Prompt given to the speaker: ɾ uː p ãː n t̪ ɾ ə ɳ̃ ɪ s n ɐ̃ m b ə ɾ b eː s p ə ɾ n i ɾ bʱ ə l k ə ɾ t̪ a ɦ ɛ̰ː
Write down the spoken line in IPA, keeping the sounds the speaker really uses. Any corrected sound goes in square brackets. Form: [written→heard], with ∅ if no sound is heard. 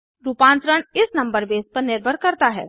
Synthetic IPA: ɾ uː p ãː n t̪ ɾ ə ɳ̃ ɪ s n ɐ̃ m b ə ɾ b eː s p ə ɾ n [i→ɪ] ɾ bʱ ə [l→ɾ] k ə ɾ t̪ a ɦ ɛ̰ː